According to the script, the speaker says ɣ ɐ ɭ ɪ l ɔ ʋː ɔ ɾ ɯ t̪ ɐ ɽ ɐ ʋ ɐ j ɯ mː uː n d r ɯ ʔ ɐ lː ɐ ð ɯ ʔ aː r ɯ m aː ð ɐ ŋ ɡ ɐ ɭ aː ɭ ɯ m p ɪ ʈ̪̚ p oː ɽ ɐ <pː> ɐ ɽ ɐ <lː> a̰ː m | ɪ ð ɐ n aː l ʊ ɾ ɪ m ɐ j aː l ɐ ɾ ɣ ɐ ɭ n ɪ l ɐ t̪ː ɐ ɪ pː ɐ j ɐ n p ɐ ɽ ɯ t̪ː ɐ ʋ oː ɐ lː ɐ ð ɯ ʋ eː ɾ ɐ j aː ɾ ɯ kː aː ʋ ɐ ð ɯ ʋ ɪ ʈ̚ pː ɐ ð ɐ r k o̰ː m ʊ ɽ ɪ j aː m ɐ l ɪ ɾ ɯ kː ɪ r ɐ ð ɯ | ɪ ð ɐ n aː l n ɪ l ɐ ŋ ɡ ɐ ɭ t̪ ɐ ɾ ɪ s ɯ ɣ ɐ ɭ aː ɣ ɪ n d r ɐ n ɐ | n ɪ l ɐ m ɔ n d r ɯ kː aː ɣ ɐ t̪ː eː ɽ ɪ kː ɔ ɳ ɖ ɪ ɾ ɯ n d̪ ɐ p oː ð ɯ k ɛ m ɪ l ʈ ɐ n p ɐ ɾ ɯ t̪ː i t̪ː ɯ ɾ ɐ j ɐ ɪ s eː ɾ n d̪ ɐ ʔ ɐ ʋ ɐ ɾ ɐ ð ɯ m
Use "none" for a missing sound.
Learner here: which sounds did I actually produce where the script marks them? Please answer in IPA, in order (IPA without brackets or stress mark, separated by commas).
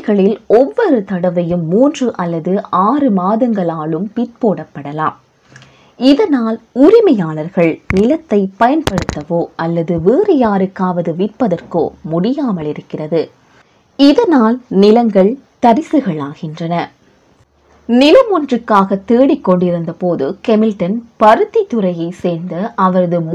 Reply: pː, l